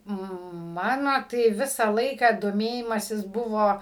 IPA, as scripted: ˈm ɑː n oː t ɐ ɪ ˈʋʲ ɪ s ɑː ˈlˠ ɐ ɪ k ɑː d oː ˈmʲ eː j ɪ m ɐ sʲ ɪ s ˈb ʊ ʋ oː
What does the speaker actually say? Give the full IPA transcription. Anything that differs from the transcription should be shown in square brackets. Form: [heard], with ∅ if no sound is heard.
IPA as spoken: ˈm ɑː n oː t ɐ ɪ ˈʋʲ ɪ s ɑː ˈlˠ ɐ ɪ k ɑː d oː ˈmʲ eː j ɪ m ɐ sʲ ɪ s ˈb ʊ ʋ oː